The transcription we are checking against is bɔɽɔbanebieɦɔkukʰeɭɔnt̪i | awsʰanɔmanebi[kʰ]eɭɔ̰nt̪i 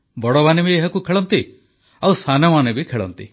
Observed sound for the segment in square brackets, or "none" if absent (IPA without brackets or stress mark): kʰ